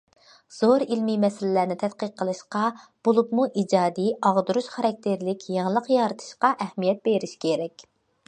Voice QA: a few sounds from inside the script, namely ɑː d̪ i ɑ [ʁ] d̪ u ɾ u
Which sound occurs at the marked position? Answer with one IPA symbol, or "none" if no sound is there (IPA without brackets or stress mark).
ʁ